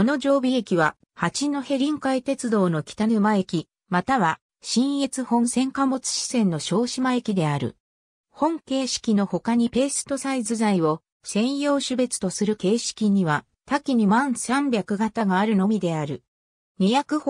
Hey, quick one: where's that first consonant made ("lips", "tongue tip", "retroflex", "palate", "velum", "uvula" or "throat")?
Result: tongue tip